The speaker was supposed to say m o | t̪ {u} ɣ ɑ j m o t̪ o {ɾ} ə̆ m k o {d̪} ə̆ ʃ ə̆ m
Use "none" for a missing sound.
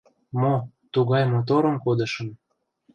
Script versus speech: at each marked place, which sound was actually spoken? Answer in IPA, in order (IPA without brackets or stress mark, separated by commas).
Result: u, ɾ, d̪